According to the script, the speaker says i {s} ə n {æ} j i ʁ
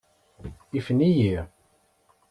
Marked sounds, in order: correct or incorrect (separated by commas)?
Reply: incorrect, incorrect